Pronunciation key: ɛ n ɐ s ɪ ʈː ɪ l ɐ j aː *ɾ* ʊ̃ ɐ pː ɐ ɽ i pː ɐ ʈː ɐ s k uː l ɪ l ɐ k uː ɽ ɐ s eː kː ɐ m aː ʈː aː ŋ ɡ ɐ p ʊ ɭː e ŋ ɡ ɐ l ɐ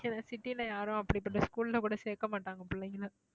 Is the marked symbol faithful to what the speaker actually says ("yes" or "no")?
yes